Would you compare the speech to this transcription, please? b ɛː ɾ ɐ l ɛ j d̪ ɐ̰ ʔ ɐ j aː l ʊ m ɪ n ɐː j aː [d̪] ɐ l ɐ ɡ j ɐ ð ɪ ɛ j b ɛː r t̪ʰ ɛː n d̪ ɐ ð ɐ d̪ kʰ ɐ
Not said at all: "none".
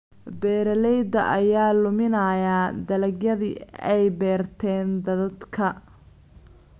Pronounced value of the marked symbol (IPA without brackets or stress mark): d̪